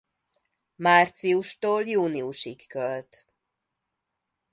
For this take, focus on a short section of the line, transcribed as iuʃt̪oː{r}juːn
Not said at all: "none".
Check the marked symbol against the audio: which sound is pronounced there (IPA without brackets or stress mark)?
l